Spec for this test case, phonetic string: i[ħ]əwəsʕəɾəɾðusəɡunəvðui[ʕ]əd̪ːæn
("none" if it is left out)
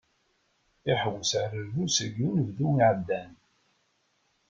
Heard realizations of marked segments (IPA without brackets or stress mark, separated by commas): ħ, ʕ